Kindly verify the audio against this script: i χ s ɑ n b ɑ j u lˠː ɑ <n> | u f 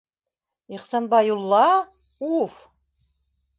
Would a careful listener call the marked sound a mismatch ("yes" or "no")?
yes